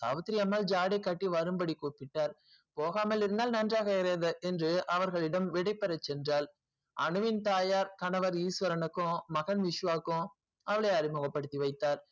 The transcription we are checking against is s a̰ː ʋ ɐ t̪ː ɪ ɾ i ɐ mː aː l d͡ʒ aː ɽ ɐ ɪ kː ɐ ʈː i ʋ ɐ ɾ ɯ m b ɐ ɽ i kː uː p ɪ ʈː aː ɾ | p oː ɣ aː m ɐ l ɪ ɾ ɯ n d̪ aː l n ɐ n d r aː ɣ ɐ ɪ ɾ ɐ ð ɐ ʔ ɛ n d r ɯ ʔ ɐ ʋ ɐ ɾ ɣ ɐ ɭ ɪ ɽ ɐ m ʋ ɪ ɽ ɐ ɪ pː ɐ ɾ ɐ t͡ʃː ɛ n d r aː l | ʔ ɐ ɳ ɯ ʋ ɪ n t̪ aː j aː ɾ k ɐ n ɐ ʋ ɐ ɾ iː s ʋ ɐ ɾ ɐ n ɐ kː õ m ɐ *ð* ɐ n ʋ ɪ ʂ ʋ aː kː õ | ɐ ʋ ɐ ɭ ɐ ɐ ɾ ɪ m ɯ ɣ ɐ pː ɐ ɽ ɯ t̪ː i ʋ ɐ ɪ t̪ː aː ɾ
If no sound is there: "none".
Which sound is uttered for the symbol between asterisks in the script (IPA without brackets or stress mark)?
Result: ɣ